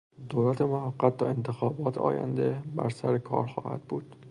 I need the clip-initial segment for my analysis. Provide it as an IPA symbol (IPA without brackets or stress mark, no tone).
d̪